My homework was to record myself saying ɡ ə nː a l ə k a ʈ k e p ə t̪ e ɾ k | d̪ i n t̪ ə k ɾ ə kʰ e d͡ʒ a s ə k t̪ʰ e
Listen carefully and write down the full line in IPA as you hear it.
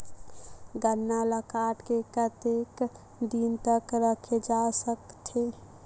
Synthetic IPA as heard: ɡ ə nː a l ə k a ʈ k e k ə t̪ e k | d̪ i n t̪ ə k ɾ ə kʰ e d͡ʒ a s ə k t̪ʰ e